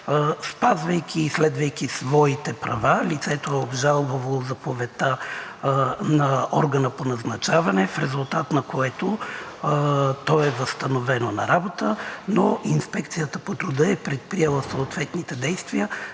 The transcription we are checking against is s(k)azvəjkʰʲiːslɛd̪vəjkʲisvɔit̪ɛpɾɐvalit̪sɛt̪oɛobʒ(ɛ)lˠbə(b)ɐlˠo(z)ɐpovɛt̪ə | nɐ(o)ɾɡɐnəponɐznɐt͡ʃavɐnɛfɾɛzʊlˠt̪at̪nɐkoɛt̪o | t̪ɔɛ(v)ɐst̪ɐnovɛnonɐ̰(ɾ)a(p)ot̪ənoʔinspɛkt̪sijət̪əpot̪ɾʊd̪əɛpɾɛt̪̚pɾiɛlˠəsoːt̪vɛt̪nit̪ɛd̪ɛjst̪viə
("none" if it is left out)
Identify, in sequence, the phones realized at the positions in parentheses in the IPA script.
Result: p, a, v, z, ɔ, v, ɾ, b

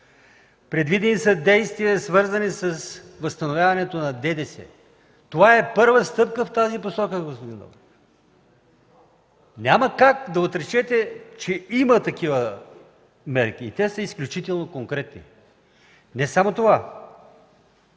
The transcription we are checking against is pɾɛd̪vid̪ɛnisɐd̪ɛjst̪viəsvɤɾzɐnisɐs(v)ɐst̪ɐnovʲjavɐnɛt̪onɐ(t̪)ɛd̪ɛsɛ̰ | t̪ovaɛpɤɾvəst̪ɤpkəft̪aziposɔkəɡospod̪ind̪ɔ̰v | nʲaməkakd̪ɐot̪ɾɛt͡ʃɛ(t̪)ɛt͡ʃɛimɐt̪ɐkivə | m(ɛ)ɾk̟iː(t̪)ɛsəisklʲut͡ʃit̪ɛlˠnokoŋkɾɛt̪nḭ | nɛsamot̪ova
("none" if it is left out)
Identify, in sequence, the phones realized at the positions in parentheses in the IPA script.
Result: v, d̪, t̪, ɛ, t̪

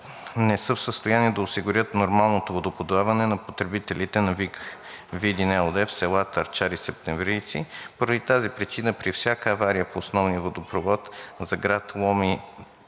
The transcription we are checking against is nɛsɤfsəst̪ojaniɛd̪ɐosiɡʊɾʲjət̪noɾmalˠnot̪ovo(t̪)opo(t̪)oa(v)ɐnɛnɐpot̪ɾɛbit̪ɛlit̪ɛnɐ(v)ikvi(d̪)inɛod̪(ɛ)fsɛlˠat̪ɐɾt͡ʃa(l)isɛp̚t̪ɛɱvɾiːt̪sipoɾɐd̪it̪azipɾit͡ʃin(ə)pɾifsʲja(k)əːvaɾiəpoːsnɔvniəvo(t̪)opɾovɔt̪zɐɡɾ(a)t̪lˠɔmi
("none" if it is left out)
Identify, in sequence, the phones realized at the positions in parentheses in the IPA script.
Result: d̪, d̪, v, v, d̪, ɛ, ɾ, ə, k, d̪, a

